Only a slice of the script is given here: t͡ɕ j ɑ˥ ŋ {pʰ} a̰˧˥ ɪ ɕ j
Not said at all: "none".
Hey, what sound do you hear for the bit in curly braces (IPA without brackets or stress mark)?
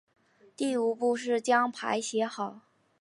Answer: pʰ